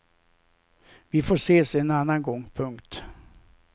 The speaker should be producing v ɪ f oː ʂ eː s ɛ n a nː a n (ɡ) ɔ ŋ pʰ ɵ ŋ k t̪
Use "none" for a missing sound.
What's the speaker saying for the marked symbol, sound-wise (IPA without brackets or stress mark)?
ɡ